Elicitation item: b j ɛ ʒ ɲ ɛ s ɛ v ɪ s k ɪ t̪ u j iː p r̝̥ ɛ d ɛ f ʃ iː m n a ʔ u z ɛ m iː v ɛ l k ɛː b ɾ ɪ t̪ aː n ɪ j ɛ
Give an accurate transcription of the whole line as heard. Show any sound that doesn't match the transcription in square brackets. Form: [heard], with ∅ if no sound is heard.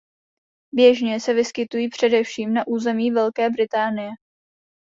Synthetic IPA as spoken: b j ɛ ʒ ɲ ɛ s ɛ v ɪ s k ɪ t̪ u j iː p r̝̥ ɛ d ɛ f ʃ iː m n a ʔ [uː] z ɛ m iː v ɛ l k ɛː b ɾ ɪ t̪ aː n ɪ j ɛ